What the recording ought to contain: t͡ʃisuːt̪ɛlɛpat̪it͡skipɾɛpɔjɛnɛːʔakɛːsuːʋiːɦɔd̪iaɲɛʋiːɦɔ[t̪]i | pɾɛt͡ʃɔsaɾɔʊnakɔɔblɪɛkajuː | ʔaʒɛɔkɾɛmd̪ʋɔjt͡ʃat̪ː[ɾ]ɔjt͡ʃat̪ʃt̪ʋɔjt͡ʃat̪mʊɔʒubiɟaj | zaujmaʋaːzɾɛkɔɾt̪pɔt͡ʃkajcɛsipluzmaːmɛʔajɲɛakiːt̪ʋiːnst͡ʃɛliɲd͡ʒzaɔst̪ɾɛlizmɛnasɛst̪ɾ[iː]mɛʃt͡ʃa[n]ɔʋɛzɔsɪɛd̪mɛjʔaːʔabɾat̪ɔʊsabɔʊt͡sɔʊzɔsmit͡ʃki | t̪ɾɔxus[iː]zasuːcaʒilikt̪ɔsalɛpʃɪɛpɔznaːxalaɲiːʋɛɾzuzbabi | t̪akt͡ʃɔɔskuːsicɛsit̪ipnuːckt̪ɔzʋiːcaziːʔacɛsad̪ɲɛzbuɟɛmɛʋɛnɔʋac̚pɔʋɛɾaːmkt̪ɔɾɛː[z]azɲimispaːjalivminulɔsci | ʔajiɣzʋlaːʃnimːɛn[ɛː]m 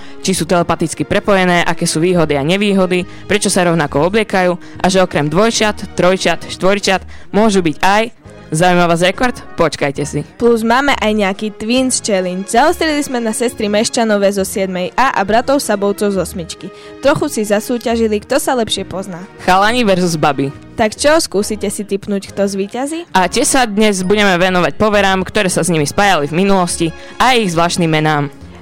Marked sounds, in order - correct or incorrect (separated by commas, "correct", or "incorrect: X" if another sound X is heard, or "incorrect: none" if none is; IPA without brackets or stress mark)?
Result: incorrect: d̪, correct, incorrect: i, correct, incorrect: i, incorrect: s, incorrect: aː